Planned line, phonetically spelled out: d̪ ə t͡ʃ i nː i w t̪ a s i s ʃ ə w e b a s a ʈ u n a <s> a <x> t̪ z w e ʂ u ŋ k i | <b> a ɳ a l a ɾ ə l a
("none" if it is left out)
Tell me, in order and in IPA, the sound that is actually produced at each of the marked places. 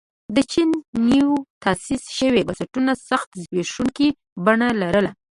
s, x, b

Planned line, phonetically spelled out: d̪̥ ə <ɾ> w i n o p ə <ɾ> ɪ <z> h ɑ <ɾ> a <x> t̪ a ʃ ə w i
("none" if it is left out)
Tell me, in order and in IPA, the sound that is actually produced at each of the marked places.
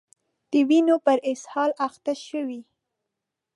none, ɾ, s, l, x

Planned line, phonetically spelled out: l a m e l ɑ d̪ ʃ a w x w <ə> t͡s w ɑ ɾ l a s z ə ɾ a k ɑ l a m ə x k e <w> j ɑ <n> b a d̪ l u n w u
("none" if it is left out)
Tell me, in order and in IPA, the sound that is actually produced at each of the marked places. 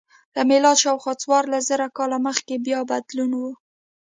ɑ, b, none

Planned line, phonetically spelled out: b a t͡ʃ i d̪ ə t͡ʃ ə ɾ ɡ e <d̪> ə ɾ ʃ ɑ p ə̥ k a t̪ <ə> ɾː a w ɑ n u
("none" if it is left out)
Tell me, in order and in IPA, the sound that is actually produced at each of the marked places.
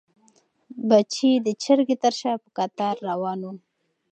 t̪, ɑ

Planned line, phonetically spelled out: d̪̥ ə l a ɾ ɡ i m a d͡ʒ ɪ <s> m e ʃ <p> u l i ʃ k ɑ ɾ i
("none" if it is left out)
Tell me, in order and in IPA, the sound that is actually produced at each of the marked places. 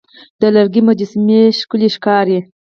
s, k

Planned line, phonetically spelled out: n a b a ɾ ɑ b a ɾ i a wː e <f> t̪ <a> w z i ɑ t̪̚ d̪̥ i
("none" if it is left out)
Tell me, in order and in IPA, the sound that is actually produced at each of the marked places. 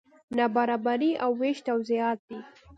ʃ, a

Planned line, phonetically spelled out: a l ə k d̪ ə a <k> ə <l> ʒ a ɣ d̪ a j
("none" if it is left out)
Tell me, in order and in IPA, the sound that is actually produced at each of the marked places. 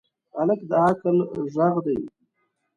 k, l

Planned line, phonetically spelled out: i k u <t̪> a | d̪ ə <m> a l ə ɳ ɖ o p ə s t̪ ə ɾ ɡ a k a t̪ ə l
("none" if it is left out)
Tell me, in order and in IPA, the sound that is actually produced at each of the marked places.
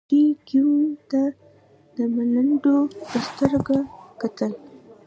t̪, m

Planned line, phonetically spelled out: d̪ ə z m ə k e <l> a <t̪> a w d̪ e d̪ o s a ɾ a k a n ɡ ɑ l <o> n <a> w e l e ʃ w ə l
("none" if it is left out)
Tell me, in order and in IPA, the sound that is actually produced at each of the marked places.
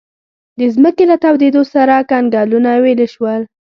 l, t̪, u, a

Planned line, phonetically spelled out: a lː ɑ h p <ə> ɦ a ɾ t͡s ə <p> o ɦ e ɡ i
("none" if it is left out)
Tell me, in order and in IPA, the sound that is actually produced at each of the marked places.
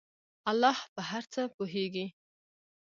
ə, p

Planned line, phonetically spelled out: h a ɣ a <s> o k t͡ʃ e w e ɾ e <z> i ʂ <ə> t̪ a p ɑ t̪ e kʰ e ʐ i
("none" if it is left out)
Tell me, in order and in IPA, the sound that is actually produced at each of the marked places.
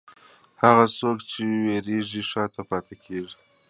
s, ʐ, ɑ

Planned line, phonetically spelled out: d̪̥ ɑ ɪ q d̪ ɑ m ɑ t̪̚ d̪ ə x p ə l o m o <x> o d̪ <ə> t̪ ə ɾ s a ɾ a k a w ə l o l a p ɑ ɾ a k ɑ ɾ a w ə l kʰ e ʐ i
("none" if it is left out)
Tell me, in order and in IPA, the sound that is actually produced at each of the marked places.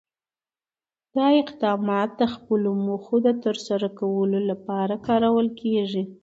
x, ə

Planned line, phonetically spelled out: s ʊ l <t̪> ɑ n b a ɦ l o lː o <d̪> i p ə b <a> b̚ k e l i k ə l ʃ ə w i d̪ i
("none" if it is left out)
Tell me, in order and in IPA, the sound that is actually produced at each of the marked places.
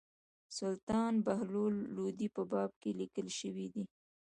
t̪, d̪, ɑ

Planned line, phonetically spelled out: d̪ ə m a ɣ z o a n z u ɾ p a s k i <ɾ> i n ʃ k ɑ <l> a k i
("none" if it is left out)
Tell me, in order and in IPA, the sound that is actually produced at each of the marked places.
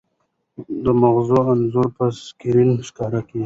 ɾ, ɾ

